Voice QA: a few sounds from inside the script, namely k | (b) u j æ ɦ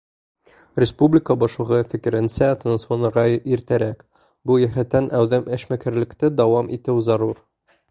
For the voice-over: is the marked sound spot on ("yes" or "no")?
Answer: yes